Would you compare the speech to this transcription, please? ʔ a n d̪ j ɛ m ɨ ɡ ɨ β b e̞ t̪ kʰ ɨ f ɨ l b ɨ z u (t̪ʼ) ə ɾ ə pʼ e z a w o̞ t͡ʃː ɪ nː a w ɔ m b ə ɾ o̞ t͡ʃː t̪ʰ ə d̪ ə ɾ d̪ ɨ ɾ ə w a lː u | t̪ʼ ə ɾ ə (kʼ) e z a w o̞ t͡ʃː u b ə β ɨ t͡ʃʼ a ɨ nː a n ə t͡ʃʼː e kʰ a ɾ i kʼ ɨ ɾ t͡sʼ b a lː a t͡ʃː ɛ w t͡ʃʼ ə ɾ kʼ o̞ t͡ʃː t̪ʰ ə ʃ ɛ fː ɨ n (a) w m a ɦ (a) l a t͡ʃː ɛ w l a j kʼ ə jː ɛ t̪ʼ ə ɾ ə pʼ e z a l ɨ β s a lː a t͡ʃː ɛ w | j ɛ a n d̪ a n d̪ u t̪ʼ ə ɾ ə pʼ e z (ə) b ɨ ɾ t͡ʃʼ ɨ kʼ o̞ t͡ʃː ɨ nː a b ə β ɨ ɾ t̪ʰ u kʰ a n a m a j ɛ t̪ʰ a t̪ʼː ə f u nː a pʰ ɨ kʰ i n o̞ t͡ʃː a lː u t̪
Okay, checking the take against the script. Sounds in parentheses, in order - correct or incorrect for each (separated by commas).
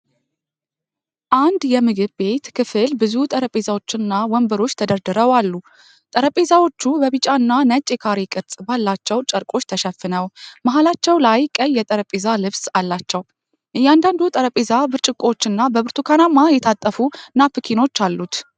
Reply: correct, incorrect, incorrect, correct, incorrect